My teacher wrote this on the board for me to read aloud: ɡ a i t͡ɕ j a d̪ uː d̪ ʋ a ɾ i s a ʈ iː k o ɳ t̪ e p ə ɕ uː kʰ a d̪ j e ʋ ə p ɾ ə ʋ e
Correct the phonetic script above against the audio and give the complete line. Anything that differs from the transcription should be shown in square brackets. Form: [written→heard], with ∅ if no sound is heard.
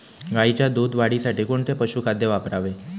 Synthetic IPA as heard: ɡ a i t͡ɕ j a d̪ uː d̪ ʋ a [ɾ→ɽ] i s a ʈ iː k o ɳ t̪ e p ə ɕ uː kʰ a d̪ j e ʋ [ə→a] p ɾ [ə→a] ʋ e